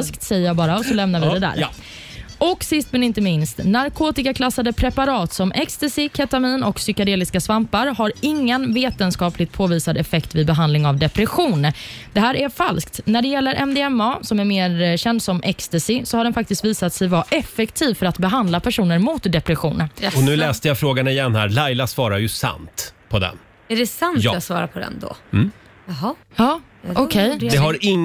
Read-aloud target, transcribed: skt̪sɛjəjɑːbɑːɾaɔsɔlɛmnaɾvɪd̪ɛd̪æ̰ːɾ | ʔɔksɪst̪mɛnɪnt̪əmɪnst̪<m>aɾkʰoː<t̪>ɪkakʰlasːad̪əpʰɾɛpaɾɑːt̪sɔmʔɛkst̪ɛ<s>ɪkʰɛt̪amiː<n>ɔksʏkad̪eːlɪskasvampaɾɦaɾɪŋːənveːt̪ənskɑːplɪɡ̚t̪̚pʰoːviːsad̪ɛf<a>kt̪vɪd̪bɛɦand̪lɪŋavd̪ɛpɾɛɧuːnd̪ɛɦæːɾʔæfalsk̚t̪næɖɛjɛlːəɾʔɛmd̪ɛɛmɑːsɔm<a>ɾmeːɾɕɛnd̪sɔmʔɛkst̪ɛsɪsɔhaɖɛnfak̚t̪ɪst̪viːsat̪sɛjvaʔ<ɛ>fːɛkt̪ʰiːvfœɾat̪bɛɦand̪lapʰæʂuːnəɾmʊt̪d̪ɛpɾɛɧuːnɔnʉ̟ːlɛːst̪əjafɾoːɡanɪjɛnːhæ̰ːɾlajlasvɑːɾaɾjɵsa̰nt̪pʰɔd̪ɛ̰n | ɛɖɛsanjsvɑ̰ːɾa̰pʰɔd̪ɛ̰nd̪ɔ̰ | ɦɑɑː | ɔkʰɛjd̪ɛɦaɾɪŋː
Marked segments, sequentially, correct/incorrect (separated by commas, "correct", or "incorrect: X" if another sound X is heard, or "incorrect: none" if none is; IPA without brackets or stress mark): incorrect: n, correct, correct, correct, incorrect: ɛ, incorrect: æ, correct